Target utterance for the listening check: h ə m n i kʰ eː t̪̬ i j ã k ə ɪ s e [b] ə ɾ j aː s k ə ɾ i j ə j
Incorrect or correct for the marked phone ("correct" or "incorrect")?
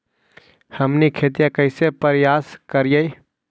incorrect